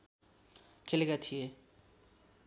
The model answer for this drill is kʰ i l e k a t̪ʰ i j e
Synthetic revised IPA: kʰ e l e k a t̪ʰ i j e

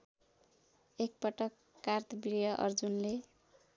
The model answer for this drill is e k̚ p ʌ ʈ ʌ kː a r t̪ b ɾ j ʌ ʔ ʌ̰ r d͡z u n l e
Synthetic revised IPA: e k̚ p ʌ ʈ ʌ kː a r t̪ b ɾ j ʌ ʔ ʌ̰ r d͡z u n l e

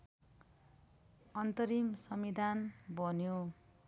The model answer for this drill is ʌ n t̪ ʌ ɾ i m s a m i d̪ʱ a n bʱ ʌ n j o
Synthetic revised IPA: ʌ n t̪ ʌ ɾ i m s ʌ m i d̪ʱ a n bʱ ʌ n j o

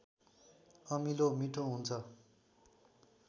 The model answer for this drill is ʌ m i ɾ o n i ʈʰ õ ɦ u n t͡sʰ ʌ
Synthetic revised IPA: ʌ m i l o m i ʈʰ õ ɦ u n t͡sʰ ʌ

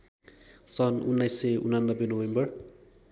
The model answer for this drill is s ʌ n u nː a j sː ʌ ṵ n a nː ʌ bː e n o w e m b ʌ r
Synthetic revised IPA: s ʌ n u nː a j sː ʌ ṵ n a nː ʌ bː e n o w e m b ʌ r

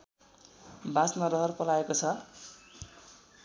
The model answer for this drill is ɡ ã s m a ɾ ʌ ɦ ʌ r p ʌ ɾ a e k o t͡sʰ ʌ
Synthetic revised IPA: b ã s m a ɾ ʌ ɦ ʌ r p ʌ l a e k o t͡sʰ ʌ

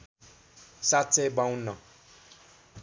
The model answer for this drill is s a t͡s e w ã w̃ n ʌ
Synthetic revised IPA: s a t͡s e b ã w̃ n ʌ

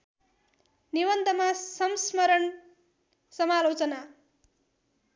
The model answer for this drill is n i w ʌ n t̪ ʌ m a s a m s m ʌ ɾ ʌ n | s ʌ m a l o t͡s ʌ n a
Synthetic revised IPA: n i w ʌ n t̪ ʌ m a s ʌ m s m ʌ ɾ ʌ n | s ʌ m a l o t͡s ʌ n a

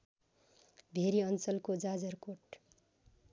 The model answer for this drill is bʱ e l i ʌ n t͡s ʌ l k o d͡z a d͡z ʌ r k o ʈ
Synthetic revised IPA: bʱ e ɾ i ʌ n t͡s ʌ l k o d͡z a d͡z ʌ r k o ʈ

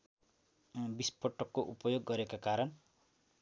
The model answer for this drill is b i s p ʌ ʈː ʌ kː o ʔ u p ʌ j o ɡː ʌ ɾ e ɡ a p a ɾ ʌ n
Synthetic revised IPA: b i s p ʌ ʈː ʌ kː o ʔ u p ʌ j o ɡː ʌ ɾ e k a k a ɾ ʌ n

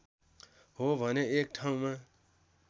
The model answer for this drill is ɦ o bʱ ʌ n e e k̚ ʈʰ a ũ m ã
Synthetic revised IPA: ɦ o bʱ ʌ n e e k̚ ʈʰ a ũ m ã

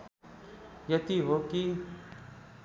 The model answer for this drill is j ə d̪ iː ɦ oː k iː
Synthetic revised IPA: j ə t̪ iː ɦ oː k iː

